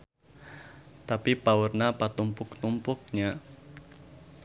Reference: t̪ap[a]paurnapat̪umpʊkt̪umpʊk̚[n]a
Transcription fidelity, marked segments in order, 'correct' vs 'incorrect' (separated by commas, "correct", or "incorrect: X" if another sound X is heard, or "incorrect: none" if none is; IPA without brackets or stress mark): incorrect: i, incorrect: ɲ